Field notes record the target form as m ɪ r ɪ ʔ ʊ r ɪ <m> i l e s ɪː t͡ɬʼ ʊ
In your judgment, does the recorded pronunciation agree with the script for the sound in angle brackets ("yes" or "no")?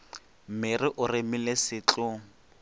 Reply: yes